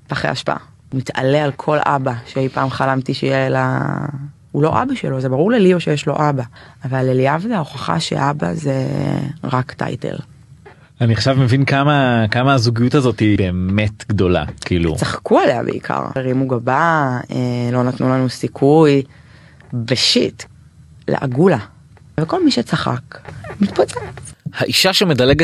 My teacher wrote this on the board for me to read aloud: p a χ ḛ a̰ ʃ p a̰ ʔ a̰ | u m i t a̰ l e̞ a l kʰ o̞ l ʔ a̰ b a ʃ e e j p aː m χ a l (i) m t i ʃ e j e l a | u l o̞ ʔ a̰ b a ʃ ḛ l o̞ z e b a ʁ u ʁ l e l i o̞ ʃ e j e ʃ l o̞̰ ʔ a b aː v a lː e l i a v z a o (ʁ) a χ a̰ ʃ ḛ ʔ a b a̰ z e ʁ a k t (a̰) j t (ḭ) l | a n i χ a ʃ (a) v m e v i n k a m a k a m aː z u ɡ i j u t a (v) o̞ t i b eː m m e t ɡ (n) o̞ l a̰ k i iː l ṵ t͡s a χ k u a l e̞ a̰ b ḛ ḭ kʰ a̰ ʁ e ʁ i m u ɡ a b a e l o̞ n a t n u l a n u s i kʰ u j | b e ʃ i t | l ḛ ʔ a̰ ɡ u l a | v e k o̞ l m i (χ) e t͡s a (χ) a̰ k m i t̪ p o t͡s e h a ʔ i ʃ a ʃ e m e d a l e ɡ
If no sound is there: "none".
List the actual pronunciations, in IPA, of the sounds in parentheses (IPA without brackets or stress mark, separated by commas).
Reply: a, χ, a̰, ḛ, a, z, d, ʃ, χ